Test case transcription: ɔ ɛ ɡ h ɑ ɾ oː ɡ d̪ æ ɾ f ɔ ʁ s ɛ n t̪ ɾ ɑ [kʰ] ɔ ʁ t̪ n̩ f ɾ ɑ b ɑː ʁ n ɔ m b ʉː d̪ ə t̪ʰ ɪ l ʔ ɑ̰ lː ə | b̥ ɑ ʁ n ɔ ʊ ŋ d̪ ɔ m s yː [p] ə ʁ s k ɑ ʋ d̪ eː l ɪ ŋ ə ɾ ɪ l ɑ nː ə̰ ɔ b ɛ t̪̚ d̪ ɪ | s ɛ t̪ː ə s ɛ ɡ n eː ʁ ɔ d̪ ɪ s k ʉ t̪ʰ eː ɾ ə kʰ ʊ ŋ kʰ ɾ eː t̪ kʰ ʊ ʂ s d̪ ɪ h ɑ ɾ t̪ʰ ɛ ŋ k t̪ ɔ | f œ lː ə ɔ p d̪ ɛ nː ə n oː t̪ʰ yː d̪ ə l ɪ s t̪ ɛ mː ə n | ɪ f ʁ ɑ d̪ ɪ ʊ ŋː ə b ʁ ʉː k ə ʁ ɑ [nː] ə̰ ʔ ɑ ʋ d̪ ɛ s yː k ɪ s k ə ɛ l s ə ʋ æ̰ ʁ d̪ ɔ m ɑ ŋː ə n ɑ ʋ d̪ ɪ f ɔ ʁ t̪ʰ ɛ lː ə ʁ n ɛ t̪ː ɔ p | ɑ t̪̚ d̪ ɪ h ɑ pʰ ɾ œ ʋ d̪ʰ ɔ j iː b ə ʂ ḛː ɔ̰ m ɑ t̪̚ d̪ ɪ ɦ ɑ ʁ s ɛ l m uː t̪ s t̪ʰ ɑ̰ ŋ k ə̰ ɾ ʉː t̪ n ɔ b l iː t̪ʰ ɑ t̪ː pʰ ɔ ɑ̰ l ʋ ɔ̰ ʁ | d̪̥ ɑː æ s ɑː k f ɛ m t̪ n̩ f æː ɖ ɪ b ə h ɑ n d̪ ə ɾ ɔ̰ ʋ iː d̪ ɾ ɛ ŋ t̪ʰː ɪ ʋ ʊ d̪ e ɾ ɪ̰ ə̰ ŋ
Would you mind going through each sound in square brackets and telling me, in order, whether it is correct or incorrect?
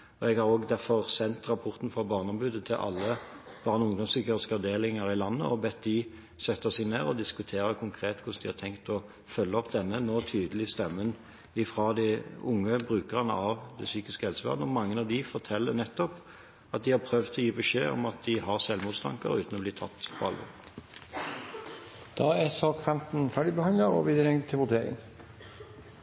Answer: incorrect: pʰ, incorrect: k, incorrect: n

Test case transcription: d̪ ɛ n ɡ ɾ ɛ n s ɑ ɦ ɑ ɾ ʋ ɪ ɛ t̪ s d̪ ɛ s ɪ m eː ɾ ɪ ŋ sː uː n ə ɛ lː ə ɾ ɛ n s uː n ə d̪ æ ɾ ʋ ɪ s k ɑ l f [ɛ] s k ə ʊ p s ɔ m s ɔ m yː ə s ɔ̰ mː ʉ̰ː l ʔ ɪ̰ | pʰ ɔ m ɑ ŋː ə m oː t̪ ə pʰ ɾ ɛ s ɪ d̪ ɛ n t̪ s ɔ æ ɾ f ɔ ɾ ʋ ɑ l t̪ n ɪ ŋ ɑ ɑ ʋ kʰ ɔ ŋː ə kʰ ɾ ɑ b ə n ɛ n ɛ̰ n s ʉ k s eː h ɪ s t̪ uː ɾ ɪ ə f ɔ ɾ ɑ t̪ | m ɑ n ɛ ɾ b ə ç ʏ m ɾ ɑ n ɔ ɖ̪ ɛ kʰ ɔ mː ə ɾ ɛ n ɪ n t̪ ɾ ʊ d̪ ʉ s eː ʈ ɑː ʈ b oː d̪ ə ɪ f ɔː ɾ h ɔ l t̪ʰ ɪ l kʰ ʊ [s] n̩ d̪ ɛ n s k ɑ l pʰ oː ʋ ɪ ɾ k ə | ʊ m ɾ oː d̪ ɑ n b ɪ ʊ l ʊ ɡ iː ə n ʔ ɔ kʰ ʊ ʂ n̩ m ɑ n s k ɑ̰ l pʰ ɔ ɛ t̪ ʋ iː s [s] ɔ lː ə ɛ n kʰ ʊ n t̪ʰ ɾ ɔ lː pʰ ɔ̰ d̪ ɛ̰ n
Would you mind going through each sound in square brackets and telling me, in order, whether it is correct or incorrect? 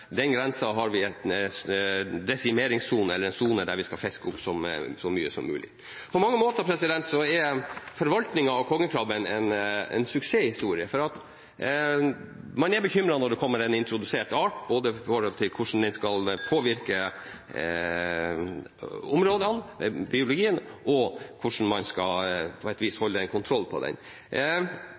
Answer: correct, incorrect: ʂ, incorrect: h

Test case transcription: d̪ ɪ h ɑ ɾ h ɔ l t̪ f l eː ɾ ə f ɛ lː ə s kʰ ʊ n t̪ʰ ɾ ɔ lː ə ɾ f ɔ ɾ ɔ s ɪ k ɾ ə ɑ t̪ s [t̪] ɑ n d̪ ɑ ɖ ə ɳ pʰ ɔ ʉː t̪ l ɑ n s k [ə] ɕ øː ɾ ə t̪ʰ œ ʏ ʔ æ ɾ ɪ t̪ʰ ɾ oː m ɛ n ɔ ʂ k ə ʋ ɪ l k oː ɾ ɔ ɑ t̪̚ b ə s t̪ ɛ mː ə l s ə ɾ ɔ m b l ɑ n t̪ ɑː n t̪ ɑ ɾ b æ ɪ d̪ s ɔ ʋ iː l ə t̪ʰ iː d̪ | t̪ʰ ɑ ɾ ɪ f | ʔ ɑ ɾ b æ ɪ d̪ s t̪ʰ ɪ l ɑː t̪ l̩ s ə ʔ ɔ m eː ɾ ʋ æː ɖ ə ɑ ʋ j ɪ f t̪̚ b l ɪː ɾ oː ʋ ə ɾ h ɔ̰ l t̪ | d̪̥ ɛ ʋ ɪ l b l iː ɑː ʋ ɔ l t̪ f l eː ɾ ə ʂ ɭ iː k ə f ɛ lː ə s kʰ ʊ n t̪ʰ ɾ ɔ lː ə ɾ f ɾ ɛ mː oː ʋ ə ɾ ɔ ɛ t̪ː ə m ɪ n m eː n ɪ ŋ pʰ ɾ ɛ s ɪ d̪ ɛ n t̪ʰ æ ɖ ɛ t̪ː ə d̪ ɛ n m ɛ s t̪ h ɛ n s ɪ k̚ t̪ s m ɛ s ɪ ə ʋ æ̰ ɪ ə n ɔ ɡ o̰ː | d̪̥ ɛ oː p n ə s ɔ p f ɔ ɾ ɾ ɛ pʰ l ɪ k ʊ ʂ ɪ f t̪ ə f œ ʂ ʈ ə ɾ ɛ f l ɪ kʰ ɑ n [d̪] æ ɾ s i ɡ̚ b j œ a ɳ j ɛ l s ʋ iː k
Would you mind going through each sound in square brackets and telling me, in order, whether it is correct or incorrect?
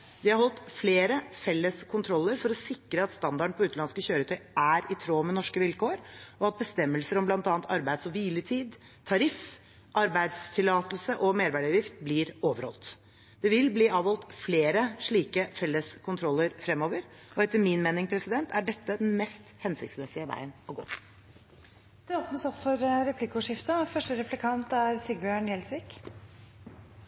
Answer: correct, correct, incorrect: t̪

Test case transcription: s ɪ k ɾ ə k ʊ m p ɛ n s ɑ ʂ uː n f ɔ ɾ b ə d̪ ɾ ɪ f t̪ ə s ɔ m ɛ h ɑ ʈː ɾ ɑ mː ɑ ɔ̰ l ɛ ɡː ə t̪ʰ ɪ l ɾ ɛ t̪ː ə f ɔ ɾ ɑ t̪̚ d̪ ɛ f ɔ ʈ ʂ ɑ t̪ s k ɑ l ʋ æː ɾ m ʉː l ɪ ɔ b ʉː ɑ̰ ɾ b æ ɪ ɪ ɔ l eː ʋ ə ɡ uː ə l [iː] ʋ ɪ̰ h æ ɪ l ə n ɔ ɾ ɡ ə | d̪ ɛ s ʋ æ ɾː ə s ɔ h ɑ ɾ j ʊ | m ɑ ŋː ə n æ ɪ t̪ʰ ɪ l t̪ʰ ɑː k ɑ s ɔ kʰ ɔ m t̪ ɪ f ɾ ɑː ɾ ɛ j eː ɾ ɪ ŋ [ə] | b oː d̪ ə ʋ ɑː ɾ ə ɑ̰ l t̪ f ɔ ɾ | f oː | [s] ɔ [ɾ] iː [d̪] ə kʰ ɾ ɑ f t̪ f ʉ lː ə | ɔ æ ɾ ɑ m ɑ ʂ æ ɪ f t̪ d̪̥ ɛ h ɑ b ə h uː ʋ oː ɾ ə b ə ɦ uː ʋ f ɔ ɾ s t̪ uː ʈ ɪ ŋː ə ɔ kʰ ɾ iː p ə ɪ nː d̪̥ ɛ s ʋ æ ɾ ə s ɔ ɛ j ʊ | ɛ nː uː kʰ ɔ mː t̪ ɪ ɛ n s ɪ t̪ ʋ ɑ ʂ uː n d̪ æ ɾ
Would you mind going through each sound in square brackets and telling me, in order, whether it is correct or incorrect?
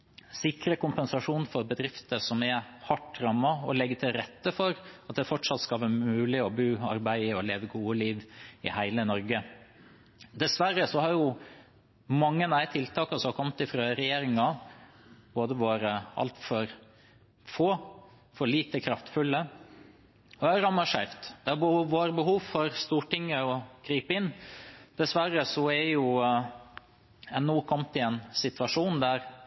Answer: correct, incorrect: ɑ, incorrect: f, incorrect: ɭ, incorrect: t̪

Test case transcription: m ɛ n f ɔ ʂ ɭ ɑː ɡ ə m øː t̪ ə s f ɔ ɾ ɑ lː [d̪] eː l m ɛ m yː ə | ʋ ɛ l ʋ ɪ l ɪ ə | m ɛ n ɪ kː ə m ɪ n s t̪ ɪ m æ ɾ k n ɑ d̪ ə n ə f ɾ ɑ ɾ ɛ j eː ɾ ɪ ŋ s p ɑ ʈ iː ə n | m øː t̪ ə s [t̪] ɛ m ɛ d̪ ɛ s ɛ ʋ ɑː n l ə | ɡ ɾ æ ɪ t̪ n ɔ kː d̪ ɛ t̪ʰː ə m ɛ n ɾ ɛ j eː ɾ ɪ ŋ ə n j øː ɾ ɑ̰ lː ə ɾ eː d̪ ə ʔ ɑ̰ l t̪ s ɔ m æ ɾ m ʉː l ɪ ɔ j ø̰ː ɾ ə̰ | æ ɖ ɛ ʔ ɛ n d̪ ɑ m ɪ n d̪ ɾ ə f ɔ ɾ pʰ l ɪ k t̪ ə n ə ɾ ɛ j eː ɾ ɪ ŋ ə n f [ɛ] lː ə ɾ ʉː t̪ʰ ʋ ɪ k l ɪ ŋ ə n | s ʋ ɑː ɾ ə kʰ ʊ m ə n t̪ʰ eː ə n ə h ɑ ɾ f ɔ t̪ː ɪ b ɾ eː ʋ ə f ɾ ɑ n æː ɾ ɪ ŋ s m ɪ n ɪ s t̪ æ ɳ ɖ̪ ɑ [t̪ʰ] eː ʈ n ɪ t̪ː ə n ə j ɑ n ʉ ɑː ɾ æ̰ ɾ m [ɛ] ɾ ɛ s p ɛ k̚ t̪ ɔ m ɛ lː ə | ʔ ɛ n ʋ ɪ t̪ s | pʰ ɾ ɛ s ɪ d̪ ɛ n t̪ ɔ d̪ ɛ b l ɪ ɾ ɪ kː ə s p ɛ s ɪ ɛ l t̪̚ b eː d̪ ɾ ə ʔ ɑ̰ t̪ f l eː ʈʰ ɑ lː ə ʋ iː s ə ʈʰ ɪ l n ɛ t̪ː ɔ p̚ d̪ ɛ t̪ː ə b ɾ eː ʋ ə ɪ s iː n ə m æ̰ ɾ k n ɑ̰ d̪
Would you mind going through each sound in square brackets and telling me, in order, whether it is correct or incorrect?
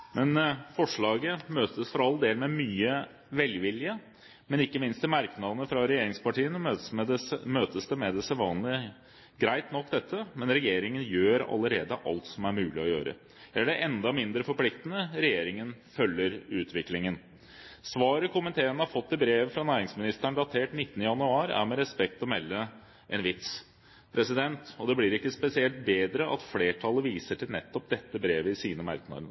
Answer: correct, incorrect: d̪, incorrect: œ, correct, correct

